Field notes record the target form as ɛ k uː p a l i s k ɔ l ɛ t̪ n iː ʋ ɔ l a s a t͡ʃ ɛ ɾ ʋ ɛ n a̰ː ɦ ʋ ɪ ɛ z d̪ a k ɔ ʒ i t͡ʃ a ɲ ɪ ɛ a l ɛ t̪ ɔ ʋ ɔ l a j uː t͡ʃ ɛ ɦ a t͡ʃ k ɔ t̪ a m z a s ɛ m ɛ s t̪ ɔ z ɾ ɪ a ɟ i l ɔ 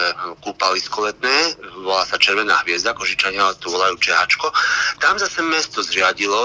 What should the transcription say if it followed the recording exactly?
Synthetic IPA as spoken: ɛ k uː p a l i s k ɔ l ɛ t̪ n ɛː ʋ ɔ l a s a t͡ʃ ɛ ɾ ʋ ɛ n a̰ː ɦ ʋ ɪ ɛ z d̪ a k ɔ ʒ i t͡ʃ a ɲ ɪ a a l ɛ t̪ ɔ ʋ ɔ l a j uː t͡ʃ ɛ ɦ a t͡ʃ k ɔ t̪ a m z a s ɛ m ɛ s t̪ ɔ z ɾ ɪ a ɟ i l ɔ